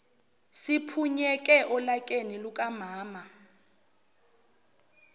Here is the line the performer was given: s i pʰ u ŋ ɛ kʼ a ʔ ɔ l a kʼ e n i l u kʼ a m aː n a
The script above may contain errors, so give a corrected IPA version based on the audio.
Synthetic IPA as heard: s i pʰ u ɲ ɛ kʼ ɛ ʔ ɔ l a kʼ e n i l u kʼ a m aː m a